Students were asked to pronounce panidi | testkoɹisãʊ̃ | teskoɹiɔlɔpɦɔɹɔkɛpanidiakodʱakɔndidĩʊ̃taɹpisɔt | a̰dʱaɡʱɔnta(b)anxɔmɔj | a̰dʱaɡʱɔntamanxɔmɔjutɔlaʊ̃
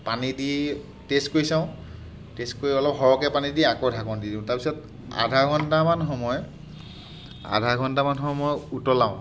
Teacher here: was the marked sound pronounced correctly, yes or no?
no